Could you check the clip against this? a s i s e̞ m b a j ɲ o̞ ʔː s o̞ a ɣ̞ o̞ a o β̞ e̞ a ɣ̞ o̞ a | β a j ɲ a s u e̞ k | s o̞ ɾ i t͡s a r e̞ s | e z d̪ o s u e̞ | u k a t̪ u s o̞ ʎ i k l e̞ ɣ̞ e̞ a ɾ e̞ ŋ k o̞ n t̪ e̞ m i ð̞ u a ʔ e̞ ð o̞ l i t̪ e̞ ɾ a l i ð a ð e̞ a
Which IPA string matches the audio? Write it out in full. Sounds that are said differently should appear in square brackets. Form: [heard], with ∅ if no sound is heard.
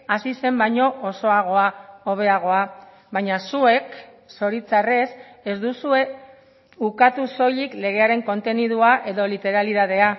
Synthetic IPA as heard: a s i s e̞ m b a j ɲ o̞ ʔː s o̞ a ɣ̞ o̞ a o β̞ e̞ a ɣ̞ o̞ a | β a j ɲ a s u e̞ k | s o̞ ɾ i t͡s a r e̞ s | e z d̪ [u] s u e̞ | u k a t̪ u s o̞ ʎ i k l e̞ ɣ̞ e̞ a ɾ e̞ ŋ k o̞ n t̪ e̞ [n] i ð̞ u a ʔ e̞ ð o̞ l i t̪ e̞ ɾ a l i ð a ð e̞ a